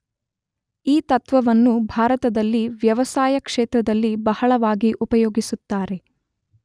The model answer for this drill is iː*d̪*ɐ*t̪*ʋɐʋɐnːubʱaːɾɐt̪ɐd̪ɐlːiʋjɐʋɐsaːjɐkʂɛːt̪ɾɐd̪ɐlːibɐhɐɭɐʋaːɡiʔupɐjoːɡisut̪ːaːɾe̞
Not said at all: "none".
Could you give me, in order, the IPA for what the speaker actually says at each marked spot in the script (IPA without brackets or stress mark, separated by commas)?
t̪, t̪